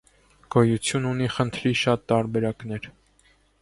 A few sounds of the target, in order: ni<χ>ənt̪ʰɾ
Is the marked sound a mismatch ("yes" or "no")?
no